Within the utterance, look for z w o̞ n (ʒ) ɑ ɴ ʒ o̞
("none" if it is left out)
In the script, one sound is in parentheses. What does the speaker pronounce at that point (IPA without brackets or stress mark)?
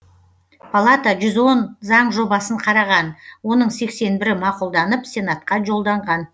z